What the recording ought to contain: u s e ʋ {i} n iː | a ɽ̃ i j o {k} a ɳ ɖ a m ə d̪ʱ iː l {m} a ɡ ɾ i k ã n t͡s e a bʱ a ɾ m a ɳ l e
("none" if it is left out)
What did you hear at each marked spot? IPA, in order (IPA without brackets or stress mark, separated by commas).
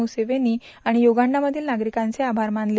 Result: e, ɡ, n